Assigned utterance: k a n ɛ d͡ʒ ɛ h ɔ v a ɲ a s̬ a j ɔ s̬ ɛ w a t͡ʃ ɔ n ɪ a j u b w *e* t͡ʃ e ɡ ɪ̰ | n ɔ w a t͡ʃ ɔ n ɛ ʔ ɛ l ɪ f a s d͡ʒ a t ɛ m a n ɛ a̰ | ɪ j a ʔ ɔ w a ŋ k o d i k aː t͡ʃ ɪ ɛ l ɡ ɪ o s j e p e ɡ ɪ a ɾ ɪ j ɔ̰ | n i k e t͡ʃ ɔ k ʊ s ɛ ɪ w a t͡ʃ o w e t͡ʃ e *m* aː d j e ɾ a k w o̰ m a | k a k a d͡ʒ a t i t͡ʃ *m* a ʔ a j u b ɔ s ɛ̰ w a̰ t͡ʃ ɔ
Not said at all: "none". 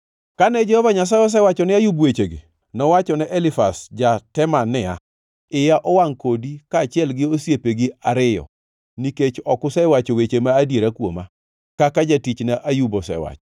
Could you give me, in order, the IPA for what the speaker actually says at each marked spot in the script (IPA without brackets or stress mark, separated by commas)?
e, m, n